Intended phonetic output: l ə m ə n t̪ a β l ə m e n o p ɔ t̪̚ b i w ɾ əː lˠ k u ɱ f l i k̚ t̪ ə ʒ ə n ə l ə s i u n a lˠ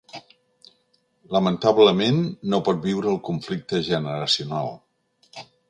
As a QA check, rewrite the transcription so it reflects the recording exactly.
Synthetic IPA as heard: l ə m ə n t̪ a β l ə m e nː o p ɔ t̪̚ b i w ɾ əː lˠ k u ɱ f l i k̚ t̪ ə ʒ ə n ə ɾ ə s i u n a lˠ